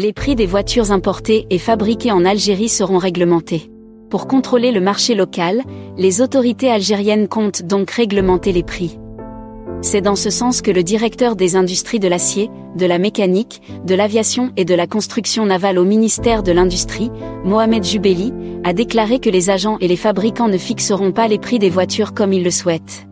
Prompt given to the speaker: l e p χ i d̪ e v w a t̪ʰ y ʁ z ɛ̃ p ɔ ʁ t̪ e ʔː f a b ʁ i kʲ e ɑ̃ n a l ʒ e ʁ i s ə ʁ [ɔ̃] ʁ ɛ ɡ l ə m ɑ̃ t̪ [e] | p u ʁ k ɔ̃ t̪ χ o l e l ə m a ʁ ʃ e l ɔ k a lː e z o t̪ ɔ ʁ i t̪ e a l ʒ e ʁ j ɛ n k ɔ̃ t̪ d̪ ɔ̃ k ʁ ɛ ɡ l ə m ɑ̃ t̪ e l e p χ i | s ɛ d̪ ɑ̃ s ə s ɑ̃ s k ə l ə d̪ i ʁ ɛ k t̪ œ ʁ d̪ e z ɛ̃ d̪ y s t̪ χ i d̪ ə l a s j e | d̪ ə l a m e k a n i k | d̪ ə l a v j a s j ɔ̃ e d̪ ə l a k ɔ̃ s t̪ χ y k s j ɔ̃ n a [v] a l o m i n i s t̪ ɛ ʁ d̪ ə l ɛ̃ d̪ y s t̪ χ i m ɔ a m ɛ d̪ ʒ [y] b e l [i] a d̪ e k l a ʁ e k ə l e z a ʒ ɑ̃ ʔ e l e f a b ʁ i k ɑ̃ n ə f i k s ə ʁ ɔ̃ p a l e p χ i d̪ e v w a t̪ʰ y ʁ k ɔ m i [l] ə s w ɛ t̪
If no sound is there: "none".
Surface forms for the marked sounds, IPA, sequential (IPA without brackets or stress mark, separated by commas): ɔ̃, e, v, y, i, lː